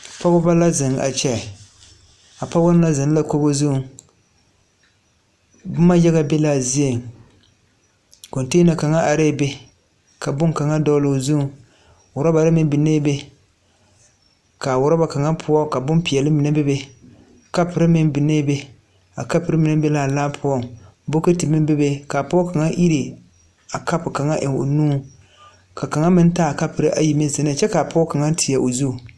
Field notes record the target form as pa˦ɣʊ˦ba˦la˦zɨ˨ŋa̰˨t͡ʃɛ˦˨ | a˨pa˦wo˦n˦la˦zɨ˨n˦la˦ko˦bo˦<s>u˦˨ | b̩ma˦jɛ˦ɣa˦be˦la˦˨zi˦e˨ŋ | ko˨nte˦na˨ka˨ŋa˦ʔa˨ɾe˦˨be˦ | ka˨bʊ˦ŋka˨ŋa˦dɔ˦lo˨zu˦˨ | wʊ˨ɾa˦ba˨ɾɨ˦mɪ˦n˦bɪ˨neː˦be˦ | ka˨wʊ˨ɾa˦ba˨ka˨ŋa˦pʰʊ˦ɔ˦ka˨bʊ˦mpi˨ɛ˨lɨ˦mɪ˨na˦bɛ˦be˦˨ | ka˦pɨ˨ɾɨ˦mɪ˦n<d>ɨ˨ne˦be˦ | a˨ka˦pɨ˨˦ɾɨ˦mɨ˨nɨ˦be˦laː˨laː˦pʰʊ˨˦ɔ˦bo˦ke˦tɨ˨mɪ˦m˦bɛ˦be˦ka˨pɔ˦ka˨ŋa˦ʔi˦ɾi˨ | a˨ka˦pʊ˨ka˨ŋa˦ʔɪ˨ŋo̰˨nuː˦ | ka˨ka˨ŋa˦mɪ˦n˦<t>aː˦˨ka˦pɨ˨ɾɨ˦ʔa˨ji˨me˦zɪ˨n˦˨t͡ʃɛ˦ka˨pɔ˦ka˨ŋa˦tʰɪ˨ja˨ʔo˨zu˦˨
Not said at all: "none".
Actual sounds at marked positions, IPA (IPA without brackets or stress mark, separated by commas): z, b, t